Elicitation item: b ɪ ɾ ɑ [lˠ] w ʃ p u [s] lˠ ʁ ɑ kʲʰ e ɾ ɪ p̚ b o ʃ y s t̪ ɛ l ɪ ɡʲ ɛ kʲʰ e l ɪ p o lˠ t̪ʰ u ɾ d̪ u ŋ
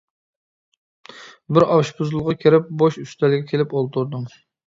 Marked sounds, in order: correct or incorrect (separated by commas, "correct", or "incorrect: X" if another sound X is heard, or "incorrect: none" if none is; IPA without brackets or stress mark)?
incorrect: none, incorrect: z